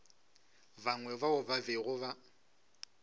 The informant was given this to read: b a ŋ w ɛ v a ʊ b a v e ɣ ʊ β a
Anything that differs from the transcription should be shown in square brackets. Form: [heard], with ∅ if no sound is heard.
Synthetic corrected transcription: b a ŋ w ɛ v a ʊ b a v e ɣ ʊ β a